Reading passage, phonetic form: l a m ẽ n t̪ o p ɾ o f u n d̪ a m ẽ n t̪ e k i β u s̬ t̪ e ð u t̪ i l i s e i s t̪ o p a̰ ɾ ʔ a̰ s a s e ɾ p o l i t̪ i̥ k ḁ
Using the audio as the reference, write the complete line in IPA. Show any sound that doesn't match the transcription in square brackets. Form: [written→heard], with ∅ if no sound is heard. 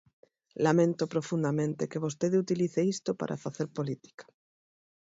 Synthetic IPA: l a m ẽ n t̪ o p ɾ o f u n d̪ a m ẽ n t̪ e k [i→e] β [u→o] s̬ t̪ e ð u t̪ i l i [s→θ] e i s t̪ o p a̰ ɾ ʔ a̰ [s→f] a [s→θ] e ɾ p o l i t̪ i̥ k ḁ